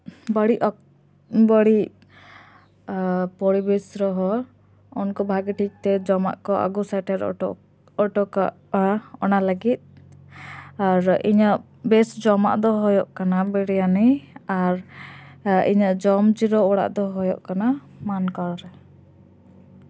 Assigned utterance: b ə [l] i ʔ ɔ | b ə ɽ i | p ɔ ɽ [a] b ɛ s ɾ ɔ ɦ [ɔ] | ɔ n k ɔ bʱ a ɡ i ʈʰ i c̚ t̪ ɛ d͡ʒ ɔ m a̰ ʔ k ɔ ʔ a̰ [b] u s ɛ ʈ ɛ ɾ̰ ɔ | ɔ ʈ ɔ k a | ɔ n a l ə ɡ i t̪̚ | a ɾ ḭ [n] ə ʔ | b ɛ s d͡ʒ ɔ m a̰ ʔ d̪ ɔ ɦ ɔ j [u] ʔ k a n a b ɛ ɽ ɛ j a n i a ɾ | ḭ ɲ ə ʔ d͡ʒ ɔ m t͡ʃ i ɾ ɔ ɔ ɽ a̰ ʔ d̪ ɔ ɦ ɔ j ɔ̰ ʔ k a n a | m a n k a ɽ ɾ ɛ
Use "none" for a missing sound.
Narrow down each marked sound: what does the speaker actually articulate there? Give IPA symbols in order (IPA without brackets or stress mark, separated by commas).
ɽ, i, ɔ, ɡ, ɲ, ɔ